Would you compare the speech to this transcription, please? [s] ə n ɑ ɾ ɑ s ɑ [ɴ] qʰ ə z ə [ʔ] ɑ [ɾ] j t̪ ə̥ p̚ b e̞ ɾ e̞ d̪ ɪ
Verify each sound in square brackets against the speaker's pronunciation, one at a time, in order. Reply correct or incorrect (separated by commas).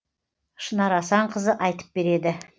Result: incorrect, correct, correct, incorrect